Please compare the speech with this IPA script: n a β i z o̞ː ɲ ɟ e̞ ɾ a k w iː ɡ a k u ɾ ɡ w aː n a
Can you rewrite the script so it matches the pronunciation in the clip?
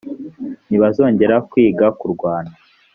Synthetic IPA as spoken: n i β a z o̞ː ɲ ɟ e̞ ɾ a k w iː ɡ a k u ɾ ɡ w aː n a